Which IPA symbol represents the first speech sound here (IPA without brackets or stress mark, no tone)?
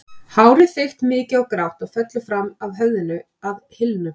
h